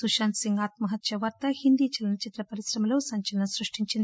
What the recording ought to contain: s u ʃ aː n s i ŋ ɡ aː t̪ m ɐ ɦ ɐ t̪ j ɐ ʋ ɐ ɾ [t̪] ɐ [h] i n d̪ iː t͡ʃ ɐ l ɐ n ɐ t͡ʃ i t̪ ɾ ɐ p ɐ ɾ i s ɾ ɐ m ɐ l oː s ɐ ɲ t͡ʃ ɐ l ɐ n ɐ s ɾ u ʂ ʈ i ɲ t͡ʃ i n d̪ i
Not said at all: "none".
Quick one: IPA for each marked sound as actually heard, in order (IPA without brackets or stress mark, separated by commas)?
t̪, h